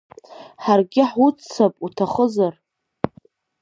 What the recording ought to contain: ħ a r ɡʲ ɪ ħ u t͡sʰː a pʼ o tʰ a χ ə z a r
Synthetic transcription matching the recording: ħ a r ɡʲ ɪ ħ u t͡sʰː a pʼ u tʰ a χ ə z a r